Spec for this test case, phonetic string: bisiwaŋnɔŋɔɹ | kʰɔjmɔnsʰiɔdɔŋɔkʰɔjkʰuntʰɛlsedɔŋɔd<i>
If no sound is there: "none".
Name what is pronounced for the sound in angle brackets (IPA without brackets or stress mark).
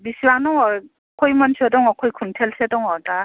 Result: a